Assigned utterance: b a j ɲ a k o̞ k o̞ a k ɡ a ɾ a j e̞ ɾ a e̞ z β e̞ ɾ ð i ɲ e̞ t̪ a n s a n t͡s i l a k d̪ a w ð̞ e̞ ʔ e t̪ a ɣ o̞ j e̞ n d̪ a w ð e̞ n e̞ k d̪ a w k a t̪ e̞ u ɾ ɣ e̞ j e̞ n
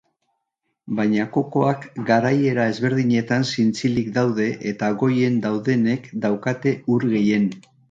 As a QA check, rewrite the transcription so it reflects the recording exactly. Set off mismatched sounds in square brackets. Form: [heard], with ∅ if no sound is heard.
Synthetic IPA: b a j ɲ a k o̞ k o̞ a k ɡ a ɾ a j e̞ ɾ a e̞ z β e̞ ɾ ð i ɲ e̞ t̪ a n s [i] n t͡s i l [i] k d̪ a w ð̞ e̞ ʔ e t̪ a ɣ o̞ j e̞ n d̪ a w ð e̞ n e̞ k d̪ a w k a t̪ e̞ u ɾ ɣ e̞ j e̞ n